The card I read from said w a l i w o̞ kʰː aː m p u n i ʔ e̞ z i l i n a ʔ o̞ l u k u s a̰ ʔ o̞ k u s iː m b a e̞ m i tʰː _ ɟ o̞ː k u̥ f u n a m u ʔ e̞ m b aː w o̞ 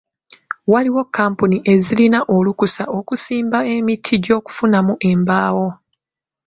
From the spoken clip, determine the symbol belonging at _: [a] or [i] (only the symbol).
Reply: i